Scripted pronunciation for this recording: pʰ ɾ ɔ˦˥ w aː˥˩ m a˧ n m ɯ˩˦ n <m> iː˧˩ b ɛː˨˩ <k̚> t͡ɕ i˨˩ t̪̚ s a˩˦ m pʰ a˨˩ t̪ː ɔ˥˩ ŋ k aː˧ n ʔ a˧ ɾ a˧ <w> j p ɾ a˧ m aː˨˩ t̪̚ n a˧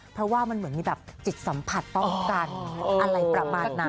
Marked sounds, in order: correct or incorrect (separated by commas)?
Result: correct, incorrect, incorrect